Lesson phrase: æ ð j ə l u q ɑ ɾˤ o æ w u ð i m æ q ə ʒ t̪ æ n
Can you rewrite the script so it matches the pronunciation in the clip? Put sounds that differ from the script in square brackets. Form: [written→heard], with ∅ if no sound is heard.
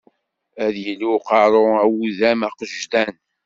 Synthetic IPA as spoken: æ ð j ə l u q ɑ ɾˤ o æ w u ð [i→æ] m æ q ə ʒ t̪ æ n